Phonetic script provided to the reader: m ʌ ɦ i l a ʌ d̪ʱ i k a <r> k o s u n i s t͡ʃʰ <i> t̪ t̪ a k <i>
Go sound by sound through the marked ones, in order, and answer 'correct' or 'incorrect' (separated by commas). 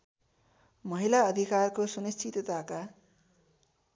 correct, correct, incorrect